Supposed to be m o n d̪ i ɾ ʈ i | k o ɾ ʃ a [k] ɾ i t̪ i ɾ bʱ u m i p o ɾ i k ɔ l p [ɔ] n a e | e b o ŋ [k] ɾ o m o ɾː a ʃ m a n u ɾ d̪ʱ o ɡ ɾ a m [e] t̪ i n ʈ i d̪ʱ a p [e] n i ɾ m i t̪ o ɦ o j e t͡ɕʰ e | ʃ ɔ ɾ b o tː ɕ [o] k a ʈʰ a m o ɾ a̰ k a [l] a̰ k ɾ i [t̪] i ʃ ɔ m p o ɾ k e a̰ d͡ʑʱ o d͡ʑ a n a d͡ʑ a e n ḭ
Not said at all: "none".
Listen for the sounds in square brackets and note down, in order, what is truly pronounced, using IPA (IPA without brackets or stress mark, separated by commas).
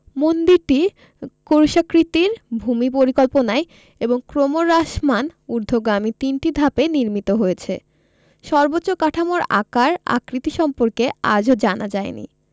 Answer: k, o, k, i, e, o, ɾ, t̪